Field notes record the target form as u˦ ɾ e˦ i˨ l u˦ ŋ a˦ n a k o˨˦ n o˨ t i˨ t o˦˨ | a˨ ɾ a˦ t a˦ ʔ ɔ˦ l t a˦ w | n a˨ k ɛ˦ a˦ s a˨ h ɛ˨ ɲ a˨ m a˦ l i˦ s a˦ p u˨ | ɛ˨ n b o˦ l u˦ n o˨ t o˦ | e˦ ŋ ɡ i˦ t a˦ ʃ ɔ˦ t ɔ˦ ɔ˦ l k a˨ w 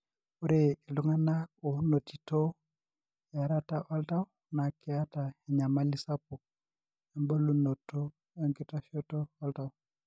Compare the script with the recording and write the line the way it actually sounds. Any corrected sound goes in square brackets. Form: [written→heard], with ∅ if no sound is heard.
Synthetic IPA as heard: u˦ ɾ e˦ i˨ l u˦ ŋ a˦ n a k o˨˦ n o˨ t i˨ t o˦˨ | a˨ ɾ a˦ t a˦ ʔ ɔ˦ l t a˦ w | n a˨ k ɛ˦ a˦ [s→t] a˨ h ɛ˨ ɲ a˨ m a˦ l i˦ s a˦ p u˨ | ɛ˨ [n→m] b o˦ l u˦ n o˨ t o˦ | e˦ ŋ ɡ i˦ t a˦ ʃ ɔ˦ t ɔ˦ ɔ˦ l [k→t] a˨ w